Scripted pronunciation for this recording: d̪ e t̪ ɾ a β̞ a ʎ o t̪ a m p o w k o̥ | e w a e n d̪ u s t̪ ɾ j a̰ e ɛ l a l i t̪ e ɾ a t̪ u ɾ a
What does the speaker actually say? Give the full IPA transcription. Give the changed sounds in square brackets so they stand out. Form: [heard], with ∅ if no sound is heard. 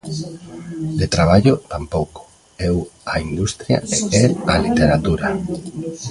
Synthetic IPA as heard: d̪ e t̪ ɾ a β̞ a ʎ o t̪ a m p o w k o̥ | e w a [i] n d̪ u s t̪ ɾ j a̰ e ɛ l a l i t̪ e ɾ a t̪ u ɾ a